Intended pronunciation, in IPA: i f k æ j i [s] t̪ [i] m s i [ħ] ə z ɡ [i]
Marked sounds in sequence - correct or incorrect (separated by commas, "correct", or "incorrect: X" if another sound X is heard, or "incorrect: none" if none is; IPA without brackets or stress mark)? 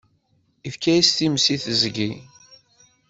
correct, correct, incorrect: θ, correct